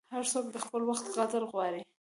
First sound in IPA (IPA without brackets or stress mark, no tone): h